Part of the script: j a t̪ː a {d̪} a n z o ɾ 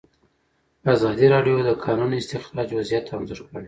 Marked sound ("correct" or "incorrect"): incorrect